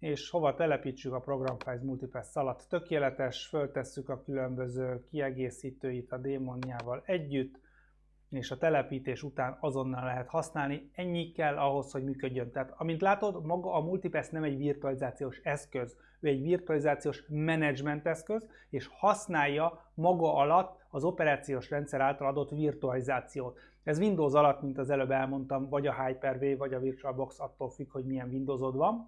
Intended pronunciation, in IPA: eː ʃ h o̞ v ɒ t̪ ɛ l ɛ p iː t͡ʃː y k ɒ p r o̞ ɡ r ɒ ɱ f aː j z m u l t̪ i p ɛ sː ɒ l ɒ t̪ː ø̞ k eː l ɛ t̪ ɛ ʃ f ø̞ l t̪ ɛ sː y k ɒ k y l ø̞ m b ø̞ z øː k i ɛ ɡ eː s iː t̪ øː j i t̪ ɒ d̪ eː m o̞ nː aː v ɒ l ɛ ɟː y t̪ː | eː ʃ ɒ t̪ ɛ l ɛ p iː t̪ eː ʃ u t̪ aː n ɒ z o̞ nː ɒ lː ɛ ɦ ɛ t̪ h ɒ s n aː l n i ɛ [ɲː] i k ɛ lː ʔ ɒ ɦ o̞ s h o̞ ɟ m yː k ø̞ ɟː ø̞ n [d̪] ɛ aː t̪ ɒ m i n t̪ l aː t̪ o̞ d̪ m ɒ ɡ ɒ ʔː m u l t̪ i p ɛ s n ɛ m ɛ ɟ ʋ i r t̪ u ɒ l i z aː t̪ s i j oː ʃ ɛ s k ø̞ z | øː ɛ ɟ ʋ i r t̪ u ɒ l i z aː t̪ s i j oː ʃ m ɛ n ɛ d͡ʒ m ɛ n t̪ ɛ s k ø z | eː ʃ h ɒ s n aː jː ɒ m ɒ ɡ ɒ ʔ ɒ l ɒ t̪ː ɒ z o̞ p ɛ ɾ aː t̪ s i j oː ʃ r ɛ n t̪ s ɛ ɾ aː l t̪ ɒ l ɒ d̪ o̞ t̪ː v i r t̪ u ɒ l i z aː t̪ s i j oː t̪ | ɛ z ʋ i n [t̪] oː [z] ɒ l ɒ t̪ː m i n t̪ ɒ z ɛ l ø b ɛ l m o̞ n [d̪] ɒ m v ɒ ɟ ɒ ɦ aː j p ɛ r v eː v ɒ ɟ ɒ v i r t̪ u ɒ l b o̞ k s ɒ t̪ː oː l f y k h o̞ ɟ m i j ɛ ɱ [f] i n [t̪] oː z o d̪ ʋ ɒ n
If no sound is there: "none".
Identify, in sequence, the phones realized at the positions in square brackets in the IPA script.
ɲː, t̪, d̪, z, t̪, v, d̪

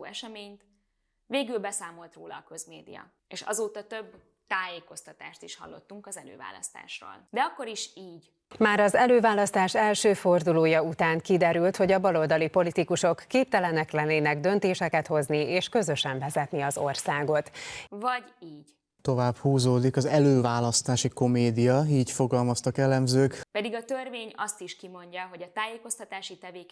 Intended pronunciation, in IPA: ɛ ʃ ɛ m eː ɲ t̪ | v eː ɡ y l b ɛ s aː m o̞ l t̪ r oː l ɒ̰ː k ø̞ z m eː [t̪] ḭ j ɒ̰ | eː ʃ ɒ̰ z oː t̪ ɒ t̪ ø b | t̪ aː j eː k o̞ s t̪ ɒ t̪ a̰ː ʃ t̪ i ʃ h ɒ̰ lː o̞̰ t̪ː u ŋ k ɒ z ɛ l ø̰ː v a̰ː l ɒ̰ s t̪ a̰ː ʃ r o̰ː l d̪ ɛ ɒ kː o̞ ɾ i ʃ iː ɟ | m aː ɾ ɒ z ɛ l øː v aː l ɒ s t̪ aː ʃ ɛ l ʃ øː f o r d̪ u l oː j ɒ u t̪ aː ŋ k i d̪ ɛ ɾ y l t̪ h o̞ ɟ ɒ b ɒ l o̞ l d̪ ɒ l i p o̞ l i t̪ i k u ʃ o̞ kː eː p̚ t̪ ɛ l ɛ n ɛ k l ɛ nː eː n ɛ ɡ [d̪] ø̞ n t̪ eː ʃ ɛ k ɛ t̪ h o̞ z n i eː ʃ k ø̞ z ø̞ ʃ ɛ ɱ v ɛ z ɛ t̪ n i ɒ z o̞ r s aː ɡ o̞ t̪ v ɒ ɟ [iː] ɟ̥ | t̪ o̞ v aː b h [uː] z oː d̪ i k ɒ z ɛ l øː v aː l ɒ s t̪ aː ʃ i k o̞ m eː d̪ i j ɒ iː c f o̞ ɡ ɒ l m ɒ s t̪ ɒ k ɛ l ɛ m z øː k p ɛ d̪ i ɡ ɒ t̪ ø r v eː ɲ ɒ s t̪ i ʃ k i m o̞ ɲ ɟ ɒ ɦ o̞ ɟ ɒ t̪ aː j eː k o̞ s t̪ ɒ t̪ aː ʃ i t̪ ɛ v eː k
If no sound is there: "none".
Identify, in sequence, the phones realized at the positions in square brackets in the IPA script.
d̪, d̪, iː, uː

